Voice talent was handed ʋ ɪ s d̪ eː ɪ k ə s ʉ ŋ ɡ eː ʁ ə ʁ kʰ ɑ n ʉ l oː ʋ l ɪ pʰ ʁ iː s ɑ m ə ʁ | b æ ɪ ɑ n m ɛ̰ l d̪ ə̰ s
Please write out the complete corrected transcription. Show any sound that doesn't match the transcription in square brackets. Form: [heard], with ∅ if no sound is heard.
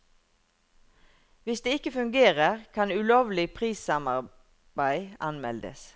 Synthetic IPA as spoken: ʋ ɪ s d̪ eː ɪ k ə [f] ʉ ŋ ɡ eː ʁ ə ʁ kʰ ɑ n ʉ l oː ʋ l ɪ pʰ ʁ iː s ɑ m [ɑ] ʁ | b æ ɪ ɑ n m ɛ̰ l d̪ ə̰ s